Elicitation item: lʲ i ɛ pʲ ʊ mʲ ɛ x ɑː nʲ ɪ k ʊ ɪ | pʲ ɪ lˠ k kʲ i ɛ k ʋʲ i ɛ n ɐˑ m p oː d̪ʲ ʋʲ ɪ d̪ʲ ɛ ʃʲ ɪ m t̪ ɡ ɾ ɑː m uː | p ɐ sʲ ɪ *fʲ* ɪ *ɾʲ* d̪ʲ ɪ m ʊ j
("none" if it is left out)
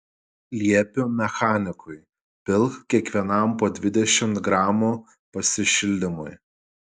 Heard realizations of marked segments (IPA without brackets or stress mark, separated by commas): ʃʲ, lʲ